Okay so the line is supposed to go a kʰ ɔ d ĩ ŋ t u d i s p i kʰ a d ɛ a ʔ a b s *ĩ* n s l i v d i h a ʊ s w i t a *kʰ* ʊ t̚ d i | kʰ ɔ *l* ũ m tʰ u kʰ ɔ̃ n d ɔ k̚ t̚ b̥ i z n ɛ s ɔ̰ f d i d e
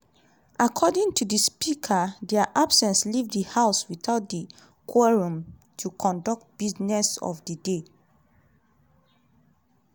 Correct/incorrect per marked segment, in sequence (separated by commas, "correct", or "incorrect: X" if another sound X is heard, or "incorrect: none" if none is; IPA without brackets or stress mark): incorrect: ɛ̃, incorrect: none, incorrect: ɹ